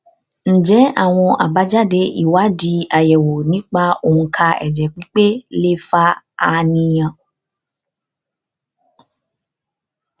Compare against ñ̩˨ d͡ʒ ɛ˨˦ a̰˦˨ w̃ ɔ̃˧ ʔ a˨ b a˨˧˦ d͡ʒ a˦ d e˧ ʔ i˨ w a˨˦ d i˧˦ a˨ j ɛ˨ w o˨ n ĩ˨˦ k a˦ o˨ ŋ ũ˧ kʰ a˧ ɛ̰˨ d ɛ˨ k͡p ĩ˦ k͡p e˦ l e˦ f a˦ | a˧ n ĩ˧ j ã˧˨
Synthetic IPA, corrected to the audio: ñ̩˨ d͡ʒ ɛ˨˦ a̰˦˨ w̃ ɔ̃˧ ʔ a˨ b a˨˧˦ d͡ʒ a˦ d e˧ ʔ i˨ w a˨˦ d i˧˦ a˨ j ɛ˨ w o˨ n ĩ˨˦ k͡p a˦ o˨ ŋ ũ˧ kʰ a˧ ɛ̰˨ d͡ʒ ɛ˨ k͡p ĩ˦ k͡p e˦ l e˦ f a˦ | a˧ n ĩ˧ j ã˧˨